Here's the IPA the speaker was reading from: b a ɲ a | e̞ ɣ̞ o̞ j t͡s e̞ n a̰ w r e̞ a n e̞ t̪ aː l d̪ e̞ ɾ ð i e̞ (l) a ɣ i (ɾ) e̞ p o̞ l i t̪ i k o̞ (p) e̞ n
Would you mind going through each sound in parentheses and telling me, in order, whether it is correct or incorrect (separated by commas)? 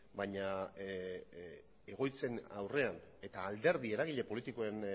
incorrect, incorrect, incorrect